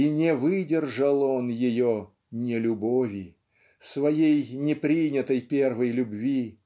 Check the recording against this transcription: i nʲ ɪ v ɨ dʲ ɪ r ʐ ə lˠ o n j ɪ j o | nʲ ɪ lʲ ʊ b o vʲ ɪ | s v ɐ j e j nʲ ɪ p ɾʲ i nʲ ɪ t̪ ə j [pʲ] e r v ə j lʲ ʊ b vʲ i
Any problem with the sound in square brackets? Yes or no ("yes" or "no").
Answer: no